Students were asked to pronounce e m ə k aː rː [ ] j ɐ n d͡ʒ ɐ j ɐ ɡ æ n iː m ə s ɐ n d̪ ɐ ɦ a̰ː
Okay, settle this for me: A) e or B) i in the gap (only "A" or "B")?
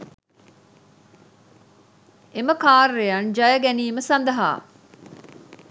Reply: A